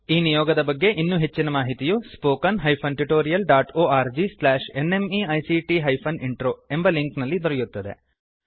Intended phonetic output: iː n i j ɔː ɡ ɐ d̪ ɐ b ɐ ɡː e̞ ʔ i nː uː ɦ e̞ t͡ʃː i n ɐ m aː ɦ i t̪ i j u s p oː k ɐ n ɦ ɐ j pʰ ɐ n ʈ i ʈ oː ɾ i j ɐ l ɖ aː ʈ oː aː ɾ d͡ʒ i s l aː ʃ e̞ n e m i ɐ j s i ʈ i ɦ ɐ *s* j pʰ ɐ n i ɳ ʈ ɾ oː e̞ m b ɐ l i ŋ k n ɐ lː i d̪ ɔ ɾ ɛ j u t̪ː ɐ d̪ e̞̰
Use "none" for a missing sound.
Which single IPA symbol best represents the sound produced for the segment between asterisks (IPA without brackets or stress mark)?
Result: none